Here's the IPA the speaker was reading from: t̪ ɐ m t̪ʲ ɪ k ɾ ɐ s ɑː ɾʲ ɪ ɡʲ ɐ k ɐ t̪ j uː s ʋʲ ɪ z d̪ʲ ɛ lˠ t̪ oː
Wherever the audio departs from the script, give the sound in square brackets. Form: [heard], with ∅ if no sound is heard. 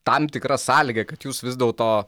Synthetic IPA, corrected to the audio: t̪ ɐ m t̪ʲ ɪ k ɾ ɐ s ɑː [lʲ] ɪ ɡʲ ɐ k ɐ t̪ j uː s ʋʲ ɪ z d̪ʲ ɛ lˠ t̪ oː